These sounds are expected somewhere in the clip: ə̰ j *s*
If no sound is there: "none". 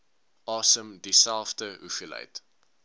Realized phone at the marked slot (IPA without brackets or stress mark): t